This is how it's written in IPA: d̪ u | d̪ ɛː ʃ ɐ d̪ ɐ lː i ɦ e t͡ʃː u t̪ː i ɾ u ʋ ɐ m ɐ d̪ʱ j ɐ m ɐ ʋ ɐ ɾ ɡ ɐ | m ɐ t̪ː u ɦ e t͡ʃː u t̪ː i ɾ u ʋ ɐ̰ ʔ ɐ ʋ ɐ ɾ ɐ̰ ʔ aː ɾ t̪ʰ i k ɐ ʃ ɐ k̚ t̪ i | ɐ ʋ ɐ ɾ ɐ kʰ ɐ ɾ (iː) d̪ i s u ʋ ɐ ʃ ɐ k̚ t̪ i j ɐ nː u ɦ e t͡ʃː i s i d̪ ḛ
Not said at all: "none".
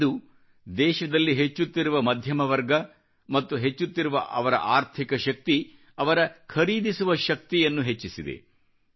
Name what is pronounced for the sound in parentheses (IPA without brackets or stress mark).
iː